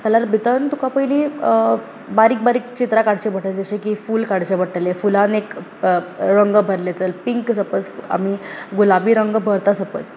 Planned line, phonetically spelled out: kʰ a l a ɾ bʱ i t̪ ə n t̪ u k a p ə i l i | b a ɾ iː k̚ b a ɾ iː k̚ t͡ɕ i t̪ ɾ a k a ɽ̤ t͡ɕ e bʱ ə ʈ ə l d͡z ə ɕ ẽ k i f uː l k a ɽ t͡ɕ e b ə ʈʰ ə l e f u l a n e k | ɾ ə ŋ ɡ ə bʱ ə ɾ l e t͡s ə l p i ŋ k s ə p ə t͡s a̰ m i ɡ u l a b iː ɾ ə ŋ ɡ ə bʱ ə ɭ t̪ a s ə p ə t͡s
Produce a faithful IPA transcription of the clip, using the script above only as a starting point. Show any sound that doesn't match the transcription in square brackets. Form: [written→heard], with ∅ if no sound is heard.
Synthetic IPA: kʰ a l a ɾ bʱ i t̪ ə n t̪ u k a p ə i l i | b a ɾ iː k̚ b a ɾ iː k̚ t͡ɕ i t̪ ɾ a k a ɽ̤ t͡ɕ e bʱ ə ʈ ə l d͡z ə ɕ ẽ k i f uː l k a ɽ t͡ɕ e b ə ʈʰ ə l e f u l a n e k | ɾ ə ŋ ɡ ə bʱ ə ɾ l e t͡s ə l p i ŋ k s ə p ə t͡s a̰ m i ɡ u l a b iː ɾ ə ŋ ɡ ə bʱ ə [ɭ→ɾ] t̪ a s ə p ə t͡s